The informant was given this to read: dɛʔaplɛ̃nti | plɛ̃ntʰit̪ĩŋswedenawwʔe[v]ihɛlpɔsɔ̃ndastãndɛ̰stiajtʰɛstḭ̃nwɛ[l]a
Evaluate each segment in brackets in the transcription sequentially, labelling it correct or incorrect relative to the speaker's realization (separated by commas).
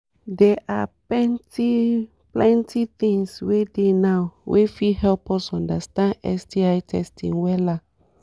incorrect, correct